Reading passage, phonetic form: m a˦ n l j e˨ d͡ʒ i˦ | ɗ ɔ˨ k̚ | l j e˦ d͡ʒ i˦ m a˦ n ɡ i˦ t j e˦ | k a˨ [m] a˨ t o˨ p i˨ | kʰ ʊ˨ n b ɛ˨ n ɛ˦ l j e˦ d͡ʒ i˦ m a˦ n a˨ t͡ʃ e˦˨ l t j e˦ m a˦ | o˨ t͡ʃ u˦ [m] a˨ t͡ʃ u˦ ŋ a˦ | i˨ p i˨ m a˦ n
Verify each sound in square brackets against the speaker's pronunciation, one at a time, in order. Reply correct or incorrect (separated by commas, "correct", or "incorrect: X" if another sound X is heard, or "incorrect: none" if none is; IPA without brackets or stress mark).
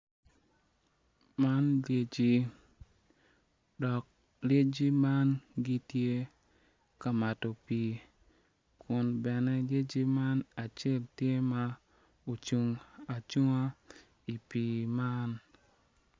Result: correct, incorrect: ŋ